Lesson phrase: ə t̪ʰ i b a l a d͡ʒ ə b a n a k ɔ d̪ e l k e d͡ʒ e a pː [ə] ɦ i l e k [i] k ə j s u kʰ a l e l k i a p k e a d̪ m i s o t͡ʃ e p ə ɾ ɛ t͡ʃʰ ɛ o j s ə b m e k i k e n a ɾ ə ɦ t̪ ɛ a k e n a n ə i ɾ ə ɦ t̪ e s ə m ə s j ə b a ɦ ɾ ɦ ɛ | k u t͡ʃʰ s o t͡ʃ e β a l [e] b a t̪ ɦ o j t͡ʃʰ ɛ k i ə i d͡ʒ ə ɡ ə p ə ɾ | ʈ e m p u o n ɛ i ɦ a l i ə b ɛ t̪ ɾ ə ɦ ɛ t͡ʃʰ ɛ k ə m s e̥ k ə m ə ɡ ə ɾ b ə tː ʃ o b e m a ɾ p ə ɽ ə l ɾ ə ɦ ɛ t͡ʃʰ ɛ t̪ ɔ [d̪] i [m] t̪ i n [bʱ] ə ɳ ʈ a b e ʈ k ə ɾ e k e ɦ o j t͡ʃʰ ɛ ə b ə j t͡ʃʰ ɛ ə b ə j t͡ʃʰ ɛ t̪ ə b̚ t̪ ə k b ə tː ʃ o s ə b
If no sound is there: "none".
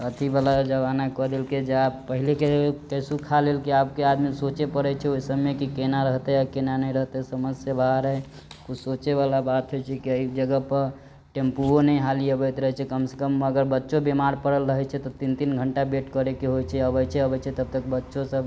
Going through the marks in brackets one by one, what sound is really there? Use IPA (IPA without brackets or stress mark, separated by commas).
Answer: ə, e, a, t̪, n, ɡʱ